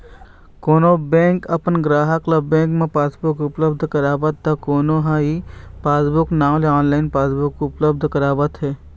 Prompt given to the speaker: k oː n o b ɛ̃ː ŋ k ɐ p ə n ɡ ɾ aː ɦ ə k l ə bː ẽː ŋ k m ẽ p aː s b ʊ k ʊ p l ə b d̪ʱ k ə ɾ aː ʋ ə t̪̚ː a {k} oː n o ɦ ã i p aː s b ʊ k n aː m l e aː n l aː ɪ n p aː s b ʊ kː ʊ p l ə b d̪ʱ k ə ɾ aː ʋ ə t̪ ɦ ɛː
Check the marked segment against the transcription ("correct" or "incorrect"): correct